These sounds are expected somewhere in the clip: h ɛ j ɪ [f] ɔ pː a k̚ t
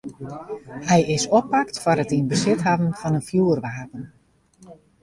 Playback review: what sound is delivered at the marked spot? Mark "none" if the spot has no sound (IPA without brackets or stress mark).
s